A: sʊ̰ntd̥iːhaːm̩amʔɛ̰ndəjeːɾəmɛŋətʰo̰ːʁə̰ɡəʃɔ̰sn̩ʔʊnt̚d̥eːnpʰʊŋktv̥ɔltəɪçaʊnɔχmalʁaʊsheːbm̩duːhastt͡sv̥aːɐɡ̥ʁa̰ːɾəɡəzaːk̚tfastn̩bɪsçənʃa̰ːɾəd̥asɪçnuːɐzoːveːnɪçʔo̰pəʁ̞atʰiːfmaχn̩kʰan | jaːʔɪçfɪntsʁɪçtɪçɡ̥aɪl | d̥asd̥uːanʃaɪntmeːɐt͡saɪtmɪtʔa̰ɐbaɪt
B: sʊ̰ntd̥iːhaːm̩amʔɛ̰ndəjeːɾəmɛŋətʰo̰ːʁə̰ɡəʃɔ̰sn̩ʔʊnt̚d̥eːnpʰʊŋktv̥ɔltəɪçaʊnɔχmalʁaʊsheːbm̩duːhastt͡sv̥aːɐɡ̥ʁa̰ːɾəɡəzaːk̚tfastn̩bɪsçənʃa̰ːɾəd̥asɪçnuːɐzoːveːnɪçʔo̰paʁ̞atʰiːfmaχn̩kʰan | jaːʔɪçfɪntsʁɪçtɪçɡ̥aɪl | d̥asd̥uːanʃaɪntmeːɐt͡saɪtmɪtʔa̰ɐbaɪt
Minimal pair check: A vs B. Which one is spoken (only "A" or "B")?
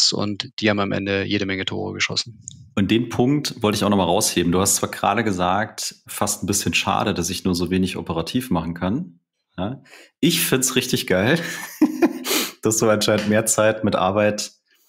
A